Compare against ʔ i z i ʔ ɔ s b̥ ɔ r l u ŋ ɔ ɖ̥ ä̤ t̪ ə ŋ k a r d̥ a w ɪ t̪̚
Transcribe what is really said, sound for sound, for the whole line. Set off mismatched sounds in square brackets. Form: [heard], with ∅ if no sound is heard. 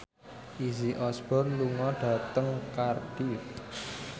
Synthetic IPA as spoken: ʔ i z i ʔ ɔ s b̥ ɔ r l u ŋ ɔ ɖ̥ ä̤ t̪ ə ŋ k a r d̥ [i] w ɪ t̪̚